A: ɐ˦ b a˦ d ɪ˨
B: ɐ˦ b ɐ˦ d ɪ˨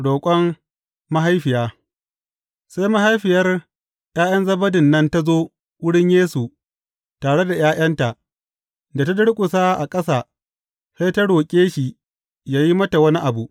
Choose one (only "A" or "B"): B